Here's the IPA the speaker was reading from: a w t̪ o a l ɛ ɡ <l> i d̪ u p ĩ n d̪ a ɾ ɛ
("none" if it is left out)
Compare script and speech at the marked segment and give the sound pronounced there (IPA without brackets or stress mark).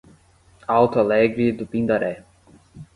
ɾ